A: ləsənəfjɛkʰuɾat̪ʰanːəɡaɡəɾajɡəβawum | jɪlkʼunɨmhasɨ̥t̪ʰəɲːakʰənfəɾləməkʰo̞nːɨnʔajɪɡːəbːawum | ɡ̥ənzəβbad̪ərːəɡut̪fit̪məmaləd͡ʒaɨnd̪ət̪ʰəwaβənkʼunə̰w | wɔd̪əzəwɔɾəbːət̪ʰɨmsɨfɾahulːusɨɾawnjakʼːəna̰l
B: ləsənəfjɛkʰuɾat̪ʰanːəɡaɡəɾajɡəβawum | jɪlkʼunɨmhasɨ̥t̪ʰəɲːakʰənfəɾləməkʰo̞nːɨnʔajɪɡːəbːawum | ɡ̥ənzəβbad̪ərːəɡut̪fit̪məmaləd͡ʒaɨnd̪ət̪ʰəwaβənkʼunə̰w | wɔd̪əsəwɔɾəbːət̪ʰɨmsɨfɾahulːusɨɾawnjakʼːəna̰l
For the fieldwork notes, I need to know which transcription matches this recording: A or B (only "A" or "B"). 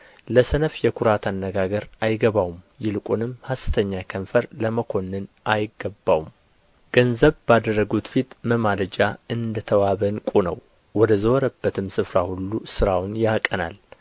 A